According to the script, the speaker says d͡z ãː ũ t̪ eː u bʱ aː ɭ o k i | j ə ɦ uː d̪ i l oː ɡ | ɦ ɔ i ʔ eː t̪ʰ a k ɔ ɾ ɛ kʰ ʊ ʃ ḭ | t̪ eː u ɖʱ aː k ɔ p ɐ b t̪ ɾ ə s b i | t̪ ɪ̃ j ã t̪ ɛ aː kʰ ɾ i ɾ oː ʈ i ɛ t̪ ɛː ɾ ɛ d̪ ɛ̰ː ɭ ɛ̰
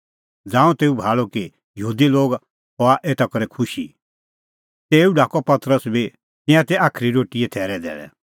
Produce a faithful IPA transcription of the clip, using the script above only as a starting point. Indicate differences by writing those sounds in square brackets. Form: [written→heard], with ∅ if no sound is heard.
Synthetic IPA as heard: d͡z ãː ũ t̪ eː u bʱ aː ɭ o k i | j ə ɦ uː d̪ i l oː ɡ | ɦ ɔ [i→a] ʔ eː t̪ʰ a k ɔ ɾ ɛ kʰ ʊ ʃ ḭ | t̪ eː u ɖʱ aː k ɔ p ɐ [b→∅] t̪ ɾ ə s b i | t̪ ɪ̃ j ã t̪ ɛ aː kʰ ɾ i ɾ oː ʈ i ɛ [t̪→t̪ʰ] ɛː ɾ ɛ d̪ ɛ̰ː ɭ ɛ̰